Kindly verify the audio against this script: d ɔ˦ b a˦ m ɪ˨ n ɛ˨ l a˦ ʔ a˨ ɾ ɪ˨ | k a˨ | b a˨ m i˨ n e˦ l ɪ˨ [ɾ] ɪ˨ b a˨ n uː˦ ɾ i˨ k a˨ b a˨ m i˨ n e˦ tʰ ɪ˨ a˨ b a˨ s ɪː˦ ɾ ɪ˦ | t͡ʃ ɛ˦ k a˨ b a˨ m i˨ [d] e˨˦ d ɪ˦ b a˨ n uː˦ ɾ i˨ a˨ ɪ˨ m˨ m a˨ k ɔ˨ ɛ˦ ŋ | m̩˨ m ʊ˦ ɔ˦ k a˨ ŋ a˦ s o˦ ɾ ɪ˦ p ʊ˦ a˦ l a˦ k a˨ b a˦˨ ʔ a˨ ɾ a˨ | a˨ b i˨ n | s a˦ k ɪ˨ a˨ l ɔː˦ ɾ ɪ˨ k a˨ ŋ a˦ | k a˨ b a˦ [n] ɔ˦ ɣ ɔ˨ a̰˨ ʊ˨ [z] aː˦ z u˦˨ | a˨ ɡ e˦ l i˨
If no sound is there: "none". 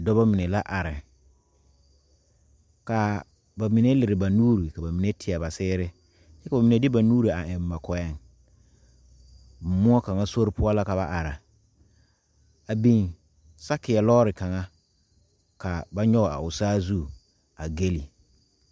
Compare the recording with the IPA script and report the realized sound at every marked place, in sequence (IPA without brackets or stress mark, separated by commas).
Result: ɾ, n, ɲ, s